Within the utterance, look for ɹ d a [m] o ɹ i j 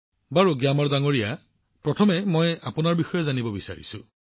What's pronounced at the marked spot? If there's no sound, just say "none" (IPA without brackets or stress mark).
ŋ